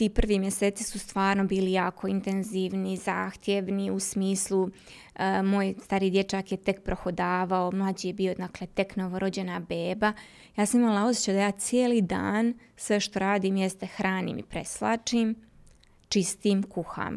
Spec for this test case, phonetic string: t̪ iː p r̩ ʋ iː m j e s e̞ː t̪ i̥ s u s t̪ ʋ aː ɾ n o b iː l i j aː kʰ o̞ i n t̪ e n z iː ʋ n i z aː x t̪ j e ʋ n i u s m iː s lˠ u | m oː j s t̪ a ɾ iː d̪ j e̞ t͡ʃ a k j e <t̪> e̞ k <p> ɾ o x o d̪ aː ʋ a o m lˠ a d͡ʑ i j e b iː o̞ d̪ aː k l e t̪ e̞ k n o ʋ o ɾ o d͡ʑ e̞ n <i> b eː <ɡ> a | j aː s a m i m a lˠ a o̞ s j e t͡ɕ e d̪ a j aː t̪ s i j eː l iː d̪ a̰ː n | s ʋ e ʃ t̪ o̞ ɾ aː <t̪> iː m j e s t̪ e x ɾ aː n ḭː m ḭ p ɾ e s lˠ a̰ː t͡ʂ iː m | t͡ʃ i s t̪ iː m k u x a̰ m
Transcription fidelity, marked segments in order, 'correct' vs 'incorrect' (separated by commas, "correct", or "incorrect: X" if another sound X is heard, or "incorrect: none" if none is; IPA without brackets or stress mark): correct, correct, incorrect: a, incorrect: b, incorrect: d̪